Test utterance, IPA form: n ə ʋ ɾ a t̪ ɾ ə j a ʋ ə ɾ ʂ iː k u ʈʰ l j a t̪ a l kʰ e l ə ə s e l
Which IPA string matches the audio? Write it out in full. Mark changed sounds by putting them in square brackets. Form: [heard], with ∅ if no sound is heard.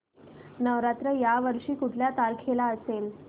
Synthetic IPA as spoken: n ə ʋ ɾ a t̪ ɾ ə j a ʋ ə ɾ ʂ iː k u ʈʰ l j a t̪ a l kʰ e l [a] ə s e l